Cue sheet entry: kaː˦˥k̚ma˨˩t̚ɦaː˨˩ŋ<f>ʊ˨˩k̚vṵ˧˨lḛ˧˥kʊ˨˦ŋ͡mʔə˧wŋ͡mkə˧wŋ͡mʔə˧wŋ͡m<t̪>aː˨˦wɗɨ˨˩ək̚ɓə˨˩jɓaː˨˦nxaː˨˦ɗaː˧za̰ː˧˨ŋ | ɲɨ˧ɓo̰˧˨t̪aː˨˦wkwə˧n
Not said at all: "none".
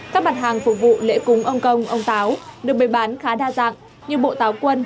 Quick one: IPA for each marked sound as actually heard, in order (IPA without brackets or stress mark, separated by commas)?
f, t̪